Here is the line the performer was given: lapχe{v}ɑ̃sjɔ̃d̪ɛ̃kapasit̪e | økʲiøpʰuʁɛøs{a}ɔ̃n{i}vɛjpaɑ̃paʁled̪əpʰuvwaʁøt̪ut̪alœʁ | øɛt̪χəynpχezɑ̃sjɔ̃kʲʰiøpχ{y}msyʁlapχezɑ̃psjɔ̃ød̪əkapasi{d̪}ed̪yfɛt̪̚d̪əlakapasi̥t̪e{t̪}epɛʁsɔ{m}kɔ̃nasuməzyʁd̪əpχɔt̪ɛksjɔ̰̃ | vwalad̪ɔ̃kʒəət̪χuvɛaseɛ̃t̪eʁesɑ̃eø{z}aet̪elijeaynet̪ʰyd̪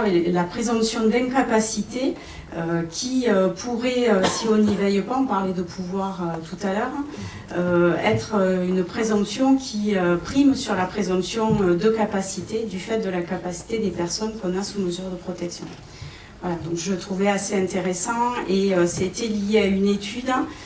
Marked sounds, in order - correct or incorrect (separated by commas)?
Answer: incorrect, incorrect, correct, incorrect, incorrect, incorrect, incorrect, incorrect